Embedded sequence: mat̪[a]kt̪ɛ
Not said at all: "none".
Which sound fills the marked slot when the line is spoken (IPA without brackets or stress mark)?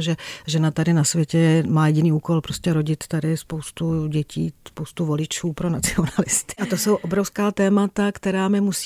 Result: a